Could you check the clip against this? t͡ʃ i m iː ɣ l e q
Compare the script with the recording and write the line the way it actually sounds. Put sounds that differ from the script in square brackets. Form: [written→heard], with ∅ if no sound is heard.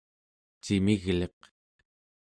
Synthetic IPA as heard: t͡ʃ i m [iː→i] ɣ l e q